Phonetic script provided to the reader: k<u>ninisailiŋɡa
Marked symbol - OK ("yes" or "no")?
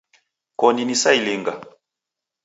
no